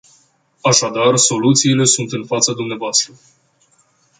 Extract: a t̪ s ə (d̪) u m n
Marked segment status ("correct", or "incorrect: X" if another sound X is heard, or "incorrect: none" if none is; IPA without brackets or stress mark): correct